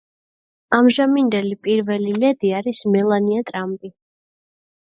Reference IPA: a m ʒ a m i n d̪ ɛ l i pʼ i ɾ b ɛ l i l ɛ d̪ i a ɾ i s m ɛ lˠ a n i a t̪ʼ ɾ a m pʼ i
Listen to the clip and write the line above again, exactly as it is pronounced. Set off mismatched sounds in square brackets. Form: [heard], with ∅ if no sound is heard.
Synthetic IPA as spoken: a m ʒ a m i n d̪ ɛ l i pʼ i ɾ [v] ɛ l i l ɛ d̪ i a ɾ i s m ɛ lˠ a n i a t̪ʼ ɾ a m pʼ i